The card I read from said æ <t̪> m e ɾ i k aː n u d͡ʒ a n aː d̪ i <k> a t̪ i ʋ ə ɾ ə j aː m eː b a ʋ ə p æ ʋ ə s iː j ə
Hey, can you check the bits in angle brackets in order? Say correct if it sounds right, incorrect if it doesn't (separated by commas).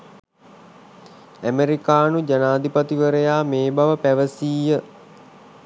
incorrect, incorrect